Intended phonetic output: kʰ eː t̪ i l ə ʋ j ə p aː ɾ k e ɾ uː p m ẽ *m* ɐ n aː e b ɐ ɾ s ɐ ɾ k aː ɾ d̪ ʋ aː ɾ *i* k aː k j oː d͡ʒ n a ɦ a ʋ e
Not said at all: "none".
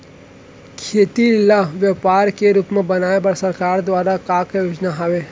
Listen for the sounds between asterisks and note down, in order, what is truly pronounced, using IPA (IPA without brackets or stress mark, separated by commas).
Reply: b, a